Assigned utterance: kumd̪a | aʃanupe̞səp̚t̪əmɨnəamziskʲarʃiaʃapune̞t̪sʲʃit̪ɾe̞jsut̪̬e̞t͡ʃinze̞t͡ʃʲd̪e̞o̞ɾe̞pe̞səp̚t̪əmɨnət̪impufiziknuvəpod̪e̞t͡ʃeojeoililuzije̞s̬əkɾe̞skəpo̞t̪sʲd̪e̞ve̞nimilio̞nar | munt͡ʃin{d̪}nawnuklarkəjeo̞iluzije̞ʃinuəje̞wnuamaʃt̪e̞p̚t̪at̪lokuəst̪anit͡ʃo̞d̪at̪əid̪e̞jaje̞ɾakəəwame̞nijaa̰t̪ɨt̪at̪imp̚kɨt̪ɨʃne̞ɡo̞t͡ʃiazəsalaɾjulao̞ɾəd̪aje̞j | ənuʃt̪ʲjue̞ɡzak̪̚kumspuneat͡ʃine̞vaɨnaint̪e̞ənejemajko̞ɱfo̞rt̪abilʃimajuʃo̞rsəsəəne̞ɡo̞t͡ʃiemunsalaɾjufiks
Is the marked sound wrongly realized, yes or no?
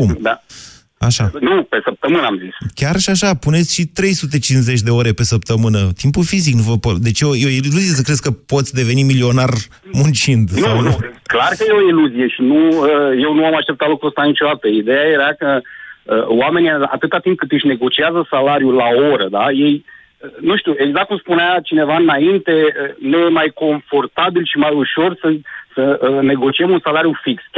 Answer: no